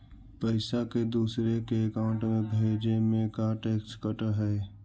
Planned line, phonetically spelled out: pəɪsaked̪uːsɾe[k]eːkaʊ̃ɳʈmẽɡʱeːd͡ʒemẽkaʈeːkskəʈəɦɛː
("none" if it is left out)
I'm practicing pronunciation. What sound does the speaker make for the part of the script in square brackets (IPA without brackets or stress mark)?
k